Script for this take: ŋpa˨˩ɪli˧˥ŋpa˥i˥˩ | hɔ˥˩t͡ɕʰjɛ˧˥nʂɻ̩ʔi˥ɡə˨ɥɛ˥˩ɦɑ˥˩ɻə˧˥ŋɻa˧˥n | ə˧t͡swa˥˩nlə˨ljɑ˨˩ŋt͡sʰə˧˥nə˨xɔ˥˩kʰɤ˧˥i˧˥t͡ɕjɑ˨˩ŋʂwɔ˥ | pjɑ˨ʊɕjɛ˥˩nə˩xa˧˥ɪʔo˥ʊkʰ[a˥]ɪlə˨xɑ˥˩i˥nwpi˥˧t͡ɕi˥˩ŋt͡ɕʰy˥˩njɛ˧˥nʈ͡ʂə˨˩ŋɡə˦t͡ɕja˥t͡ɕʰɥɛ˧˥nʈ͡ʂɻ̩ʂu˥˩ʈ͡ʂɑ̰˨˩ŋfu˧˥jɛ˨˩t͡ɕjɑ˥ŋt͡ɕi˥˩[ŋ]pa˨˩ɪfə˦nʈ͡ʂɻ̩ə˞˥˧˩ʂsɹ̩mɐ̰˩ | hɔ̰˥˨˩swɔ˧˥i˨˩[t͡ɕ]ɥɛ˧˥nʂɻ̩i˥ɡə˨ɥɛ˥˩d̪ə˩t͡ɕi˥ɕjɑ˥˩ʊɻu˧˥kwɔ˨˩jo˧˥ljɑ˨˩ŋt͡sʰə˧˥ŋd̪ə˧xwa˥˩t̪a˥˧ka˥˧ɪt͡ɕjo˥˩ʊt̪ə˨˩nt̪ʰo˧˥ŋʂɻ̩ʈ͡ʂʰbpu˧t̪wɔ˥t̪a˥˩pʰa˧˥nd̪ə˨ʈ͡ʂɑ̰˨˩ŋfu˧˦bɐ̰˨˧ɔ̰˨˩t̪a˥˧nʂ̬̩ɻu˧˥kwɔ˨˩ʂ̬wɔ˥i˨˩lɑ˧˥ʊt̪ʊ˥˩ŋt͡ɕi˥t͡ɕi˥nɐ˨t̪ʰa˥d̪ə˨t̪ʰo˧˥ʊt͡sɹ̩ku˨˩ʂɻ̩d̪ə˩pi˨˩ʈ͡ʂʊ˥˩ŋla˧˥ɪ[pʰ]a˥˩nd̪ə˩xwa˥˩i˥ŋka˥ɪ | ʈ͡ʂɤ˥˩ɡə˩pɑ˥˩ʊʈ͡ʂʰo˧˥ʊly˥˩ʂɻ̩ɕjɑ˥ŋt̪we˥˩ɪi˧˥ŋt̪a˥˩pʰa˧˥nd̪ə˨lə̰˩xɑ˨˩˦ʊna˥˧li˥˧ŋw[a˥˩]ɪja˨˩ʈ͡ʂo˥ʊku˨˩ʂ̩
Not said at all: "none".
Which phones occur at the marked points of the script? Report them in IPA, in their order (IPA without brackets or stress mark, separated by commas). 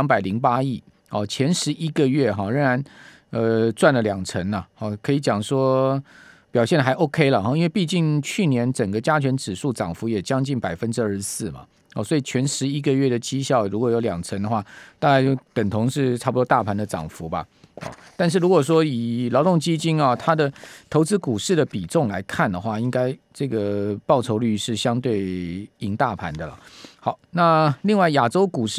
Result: e˥, n, t͡ɕʰ, kʰ, a˥˩